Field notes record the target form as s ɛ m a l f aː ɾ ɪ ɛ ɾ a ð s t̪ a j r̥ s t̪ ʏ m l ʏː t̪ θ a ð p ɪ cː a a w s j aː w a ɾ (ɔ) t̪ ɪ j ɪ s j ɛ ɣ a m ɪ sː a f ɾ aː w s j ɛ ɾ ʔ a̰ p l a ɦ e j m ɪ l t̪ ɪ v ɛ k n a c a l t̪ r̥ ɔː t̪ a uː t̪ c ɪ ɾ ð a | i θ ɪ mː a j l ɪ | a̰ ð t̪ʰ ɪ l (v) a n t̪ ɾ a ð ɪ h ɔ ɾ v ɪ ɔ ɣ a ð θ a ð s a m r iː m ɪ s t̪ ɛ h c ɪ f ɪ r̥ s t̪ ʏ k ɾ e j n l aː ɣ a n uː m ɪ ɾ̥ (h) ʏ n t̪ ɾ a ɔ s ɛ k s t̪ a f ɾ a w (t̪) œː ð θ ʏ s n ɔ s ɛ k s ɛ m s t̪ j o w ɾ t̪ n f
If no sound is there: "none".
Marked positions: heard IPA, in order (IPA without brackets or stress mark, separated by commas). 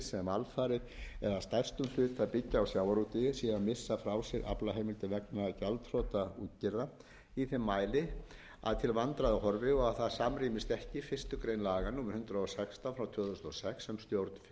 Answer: u, v, h, t̪ʰ